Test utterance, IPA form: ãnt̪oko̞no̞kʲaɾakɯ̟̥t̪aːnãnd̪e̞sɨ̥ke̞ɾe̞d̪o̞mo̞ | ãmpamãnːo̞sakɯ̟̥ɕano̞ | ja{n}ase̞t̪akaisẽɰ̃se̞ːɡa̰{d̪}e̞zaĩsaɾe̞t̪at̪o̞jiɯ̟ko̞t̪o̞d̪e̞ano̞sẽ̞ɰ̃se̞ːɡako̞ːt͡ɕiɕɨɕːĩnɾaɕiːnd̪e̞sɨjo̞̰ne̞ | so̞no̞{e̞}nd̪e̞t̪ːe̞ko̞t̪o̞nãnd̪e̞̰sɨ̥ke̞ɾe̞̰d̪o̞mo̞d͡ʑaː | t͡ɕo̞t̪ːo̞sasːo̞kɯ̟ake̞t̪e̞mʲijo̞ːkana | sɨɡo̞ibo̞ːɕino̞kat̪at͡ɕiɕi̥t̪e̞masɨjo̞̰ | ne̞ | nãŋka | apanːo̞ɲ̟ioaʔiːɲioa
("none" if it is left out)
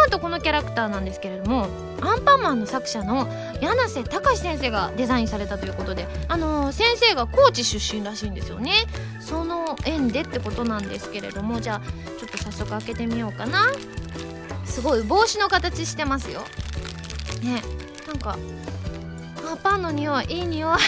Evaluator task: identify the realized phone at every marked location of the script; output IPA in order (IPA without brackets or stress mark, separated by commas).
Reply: n, d̪, ẽ̞